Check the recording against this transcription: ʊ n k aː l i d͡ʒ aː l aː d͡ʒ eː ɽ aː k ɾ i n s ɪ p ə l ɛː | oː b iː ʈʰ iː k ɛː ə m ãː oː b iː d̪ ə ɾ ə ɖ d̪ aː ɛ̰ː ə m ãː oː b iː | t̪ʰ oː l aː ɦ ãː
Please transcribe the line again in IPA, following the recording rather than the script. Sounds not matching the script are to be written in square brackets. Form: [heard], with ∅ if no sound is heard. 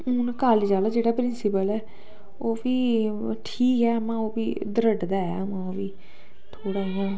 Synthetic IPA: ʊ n k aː l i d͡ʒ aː l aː d͡ʒ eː ɽ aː [p] ɾ [ɪ] n s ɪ p ə l ɛː | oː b iː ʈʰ iː k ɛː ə m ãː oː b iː d̪ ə ɾ ə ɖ d̪ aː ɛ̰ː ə m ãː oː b iː | t̪ʰ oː [ɽ] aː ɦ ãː